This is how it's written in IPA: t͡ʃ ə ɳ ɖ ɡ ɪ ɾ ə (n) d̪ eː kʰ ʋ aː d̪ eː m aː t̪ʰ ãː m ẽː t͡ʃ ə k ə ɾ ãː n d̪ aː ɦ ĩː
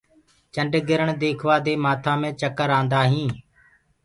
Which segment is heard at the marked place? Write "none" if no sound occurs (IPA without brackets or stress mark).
ɳ